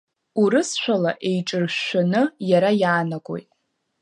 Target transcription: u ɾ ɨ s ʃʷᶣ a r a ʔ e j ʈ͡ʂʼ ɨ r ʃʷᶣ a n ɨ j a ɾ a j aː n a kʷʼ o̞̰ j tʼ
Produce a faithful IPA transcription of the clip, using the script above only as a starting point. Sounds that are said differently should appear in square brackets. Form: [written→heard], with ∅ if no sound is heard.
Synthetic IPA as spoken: u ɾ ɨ s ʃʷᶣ a [r→l] a ʔ e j ʈ͡ʂʼ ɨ r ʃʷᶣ a n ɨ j a ɾ a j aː n a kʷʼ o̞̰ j tʼ